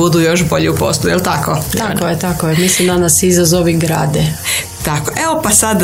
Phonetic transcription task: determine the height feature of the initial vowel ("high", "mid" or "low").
high